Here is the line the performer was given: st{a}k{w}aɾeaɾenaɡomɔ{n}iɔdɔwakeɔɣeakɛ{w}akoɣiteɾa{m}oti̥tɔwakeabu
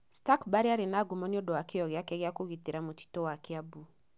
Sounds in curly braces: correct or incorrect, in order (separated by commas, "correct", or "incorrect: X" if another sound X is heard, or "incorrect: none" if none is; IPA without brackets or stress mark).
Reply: correct, incorrect: b, correct, incorrect: ɣ, correct